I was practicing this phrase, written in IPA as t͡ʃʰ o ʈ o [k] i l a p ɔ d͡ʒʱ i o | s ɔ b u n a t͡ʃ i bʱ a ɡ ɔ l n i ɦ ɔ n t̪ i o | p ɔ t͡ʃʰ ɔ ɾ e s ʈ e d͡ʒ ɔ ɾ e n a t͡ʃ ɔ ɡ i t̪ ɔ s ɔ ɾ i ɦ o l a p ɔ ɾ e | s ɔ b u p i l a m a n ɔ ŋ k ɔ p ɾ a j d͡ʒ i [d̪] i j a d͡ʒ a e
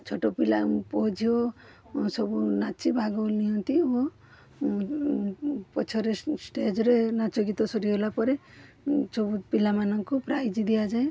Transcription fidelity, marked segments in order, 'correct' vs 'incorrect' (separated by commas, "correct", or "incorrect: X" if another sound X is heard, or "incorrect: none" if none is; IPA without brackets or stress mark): incorrect: p, correct